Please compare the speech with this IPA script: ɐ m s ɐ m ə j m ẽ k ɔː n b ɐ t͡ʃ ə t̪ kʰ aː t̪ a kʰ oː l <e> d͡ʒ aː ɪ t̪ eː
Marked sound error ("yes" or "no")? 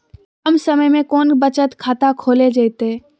no